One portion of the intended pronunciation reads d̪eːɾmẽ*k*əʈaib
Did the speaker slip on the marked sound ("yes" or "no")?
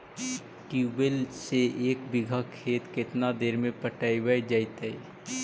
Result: yes